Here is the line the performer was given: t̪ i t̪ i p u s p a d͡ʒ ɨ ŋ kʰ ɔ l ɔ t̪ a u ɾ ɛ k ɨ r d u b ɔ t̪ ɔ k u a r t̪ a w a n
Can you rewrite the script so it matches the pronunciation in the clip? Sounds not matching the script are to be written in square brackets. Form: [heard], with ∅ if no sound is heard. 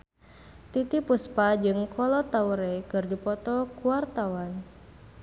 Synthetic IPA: t̪ i t̪ i p u s p a d͡ʒ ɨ ŋ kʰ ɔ l ɔ t̪ a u ɾ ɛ k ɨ r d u [p] ɔ t̪ ɔ k u a r t̪ a w a n